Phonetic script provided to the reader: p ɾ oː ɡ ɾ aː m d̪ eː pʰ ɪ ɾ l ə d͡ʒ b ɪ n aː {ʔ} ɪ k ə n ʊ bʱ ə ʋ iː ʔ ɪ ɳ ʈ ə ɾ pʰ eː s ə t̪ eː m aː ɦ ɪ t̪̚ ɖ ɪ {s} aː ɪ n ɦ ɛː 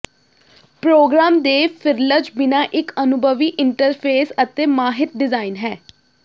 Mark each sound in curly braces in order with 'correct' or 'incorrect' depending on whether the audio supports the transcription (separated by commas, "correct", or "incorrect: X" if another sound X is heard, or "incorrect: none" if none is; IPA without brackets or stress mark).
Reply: correct, incorrect: z